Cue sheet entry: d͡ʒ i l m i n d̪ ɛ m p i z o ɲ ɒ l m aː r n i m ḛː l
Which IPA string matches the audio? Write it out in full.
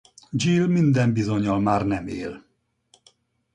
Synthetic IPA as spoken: d͡ʒ i l m i n d̪ ɛ m b i z o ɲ ɒ l m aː r n ɛ m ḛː l